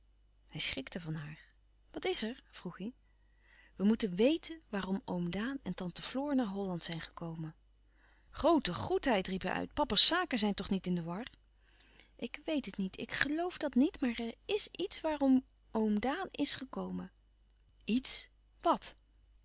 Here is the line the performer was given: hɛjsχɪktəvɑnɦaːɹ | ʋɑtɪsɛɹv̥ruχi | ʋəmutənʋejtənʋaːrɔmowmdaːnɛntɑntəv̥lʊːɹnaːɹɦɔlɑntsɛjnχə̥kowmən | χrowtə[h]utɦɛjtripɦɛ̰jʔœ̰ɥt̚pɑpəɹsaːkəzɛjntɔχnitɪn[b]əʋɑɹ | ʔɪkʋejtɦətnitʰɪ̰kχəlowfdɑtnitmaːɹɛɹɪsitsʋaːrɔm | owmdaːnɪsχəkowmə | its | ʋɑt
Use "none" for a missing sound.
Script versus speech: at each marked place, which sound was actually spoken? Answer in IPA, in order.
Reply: χ, d

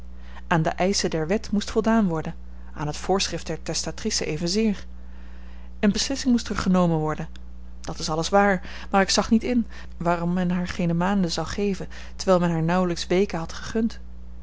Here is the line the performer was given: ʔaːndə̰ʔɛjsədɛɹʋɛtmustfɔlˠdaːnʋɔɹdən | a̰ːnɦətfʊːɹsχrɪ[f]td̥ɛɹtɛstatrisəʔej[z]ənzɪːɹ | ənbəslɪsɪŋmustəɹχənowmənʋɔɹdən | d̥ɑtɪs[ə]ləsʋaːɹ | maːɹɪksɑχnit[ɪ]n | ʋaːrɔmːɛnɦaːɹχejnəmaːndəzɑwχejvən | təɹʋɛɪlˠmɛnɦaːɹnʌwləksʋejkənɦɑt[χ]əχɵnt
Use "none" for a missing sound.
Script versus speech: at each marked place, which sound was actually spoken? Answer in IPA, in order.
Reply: f, v, ɑ, ɪ, χ

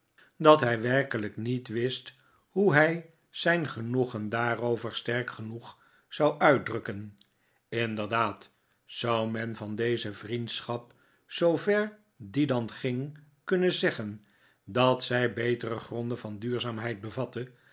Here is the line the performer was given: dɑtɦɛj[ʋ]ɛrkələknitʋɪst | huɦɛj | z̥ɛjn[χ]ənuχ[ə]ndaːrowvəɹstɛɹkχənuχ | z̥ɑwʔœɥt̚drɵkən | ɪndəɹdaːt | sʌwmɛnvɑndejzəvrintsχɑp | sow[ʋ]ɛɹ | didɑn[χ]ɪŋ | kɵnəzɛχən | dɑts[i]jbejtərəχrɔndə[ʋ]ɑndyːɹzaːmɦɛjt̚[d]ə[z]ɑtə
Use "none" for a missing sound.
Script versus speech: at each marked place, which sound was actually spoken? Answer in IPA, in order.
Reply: ʋ, χ, ə, v, χ, ɛ, v, b, v

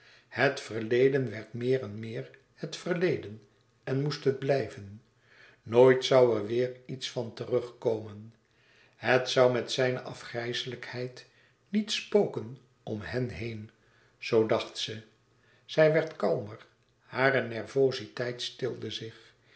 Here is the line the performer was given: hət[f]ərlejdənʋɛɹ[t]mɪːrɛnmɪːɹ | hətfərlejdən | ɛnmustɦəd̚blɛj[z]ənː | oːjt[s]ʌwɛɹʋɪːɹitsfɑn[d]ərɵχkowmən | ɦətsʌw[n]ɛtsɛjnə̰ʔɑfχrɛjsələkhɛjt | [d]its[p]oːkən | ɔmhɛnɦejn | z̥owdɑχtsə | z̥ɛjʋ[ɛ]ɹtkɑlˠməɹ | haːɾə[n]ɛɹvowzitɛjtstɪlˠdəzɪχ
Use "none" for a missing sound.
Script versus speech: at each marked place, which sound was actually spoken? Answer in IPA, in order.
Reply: f, t, v, s, t, m, n, p, ɛ, n

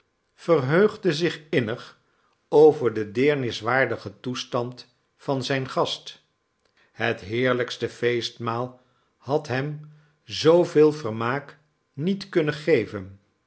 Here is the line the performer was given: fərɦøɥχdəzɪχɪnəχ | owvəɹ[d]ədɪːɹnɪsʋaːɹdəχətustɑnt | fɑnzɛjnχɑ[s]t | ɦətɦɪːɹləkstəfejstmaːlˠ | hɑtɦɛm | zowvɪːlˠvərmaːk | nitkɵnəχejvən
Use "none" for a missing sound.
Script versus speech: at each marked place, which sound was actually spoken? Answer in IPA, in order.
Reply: d, s

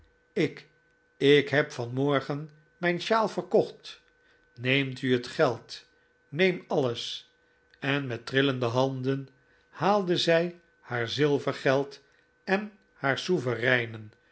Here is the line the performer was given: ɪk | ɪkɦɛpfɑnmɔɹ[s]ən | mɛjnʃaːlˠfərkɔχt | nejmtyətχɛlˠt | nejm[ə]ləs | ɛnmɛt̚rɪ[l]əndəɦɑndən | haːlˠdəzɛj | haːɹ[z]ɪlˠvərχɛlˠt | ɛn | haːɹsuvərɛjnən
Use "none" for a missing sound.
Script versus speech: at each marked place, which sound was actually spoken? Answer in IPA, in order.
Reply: χ, ɑ, l, z

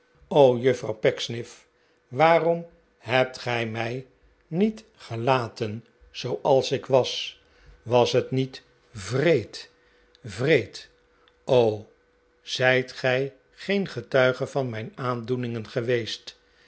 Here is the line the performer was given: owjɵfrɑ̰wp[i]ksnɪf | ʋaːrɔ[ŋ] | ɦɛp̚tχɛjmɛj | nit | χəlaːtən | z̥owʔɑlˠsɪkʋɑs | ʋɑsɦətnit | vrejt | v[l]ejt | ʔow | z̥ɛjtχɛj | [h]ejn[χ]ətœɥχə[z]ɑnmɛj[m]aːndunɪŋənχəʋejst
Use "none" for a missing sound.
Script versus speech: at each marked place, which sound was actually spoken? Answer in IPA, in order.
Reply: ɛ, m, r, χ, χ, v, n

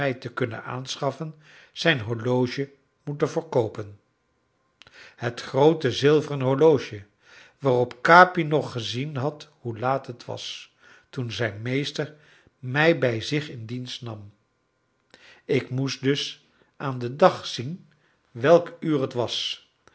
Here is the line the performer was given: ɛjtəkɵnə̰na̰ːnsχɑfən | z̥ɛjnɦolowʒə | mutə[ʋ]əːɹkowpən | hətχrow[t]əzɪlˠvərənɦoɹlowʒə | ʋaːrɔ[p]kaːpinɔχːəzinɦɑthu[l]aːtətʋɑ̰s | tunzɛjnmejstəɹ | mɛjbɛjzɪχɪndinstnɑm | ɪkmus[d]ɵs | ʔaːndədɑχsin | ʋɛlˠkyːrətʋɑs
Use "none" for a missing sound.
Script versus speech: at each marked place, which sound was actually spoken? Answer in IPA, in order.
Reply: v, t, p, l, d

